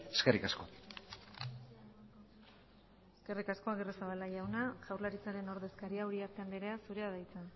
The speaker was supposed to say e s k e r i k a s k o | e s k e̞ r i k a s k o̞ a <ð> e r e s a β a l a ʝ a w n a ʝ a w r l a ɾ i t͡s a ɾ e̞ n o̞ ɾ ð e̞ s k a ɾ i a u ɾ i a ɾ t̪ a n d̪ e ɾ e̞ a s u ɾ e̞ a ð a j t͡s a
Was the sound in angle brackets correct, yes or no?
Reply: no